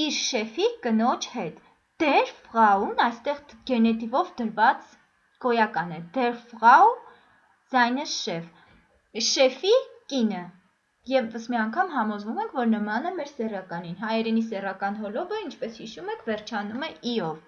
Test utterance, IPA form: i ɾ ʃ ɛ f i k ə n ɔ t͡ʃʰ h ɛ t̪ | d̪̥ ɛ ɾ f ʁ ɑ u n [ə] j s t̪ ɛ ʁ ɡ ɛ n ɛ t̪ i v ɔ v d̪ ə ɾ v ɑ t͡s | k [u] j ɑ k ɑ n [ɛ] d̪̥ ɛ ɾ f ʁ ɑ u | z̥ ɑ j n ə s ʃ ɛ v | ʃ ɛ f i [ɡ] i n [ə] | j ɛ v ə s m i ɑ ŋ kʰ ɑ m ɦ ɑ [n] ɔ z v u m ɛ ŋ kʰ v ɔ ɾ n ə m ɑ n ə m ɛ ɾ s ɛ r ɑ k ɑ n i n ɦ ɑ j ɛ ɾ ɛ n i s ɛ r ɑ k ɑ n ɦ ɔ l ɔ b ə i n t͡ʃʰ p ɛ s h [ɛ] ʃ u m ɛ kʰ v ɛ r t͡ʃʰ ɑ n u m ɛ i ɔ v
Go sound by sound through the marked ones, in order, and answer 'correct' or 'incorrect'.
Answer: incorrect: ɑ, incorrect: ɔ, correct, incorrect: k, correct, incorrect: m, incorrect: i

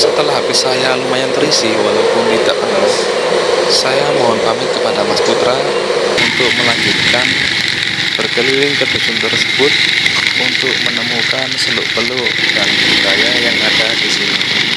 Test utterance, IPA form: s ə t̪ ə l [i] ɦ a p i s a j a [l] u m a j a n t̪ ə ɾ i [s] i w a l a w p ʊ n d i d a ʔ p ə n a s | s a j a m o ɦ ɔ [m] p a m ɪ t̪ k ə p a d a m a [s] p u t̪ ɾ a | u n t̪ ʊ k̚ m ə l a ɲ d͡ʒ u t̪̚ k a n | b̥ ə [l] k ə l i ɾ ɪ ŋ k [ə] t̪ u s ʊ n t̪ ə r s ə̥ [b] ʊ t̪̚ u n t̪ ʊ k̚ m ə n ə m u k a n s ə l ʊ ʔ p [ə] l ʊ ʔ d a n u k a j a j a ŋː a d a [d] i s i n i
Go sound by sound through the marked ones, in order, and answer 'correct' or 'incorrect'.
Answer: incorrect: a, correct, correct, incorrect: n, correct, incorrect: r, correct, correct, correct, correct

